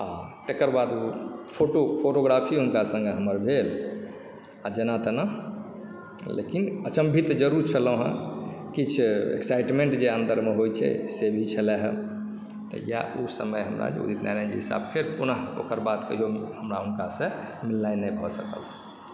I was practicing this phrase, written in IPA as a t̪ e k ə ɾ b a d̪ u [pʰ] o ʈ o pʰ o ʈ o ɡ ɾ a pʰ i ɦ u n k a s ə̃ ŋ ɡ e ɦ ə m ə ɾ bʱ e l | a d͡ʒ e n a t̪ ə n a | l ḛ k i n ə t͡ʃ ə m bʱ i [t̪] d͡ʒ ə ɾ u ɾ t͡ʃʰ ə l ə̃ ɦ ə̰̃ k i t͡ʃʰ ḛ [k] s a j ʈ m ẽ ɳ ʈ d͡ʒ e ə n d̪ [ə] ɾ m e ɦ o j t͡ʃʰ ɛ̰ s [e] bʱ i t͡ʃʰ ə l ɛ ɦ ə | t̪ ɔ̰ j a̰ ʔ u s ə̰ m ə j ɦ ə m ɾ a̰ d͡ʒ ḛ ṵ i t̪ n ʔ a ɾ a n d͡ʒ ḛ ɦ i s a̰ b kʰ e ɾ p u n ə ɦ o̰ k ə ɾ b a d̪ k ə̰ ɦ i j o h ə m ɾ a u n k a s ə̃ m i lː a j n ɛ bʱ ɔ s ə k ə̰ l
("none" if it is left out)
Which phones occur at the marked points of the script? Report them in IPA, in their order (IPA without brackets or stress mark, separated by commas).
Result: pʰ, t̪, k, ə, e